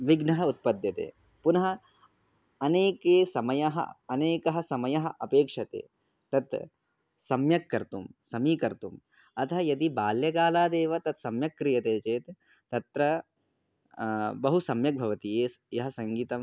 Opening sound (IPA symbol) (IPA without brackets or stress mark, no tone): ʋ